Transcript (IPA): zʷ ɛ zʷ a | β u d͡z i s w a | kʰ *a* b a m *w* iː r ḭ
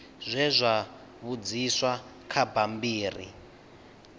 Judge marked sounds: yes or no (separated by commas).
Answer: yes, no